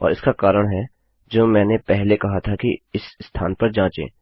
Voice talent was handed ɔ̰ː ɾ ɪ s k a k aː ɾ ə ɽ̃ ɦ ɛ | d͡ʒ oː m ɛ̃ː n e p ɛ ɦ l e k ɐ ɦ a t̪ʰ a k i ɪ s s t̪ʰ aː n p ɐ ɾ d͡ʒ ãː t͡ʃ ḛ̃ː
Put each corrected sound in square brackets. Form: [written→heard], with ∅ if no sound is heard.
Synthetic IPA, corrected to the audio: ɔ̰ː ɾ ɪ s k a k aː ɾ ə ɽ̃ ɦ ɛ | d͡ʒ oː m ɛ̃ː n e p ɛ ɦ l e k ɐ ɦ a t̪ʰ a k i ɪ s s t̪ʰ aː n p ɐ ɾ d͡ʒ ãː t͡ʃ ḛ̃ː